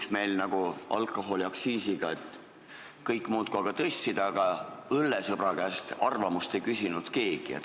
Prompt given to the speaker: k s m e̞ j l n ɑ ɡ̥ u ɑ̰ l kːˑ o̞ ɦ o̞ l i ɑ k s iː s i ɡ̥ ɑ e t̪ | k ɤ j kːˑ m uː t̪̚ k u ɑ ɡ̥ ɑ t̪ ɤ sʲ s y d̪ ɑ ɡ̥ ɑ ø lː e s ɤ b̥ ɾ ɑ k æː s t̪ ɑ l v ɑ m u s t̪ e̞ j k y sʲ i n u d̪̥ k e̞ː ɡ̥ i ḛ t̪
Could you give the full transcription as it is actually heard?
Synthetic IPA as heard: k s m e̞ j l n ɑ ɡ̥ u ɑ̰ l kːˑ o̞ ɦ o̞ l i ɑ k s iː s i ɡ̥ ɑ e t̪ | k ɤ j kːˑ m uː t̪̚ k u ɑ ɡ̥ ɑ t̪ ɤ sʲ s i d̪ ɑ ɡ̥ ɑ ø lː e s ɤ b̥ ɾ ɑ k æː s t̪ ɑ r v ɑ m u s t̪ e̞ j k y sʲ i n u d̪̥ k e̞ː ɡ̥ i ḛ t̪